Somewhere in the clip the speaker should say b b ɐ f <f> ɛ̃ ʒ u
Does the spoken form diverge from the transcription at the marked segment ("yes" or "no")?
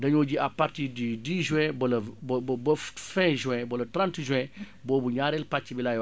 no